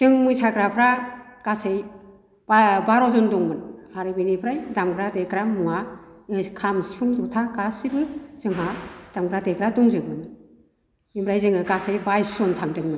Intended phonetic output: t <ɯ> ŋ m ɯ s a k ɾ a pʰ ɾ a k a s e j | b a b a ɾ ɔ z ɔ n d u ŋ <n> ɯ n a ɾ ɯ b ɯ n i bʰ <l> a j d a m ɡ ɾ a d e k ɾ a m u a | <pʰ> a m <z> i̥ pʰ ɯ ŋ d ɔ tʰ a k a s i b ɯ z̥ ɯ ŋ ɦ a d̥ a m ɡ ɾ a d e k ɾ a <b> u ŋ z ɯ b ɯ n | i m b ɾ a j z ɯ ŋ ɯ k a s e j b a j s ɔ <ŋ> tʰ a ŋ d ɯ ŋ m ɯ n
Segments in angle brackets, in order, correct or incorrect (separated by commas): correct, incorrect, incorrect, incorrect, incorrect, incorrect, incorrect